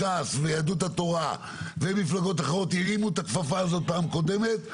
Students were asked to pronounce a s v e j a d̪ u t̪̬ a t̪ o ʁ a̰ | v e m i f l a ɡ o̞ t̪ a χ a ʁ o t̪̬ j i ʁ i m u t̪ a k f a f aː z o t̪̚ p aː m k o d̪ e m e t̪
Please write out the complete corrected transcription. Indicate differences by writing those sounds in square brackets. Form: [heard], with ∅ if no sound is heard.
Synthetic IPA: a s v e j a d̪ u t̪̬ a t̪ o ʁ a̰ | v e m i f l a ɡ o̞ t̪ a χ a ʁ o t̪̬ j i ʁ i m u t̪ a k f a f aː z o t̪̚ p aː m k o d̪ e m e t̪